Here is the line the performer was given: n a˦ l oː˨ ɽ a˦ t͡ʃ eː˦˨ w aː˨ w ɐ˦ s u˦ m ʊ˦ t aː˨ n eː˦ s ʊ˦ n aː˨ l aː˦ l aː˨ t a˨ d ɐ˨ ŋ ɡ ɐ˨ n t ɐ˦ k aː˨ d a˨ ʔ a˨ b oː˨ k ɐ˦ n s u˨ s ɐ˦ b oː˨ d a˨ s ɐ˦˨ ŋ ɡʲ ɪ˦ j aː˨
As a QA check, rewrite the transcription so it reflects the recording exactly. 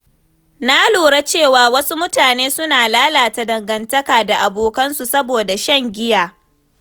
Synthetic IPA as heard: n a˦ l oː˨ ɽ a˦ t͡ʃ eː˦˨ w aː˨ w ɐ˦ s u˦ m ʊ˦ t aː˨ n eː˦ s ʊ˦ n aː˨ l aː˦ l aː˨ t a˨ d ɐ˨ ŋ ɡ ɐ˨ n t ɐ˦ k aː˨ d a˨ ʔ a˨ b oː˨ k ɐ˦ n s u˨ s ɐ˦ b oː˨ d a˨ ʃ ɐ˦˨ ŋ ɡʲ ɪ˦ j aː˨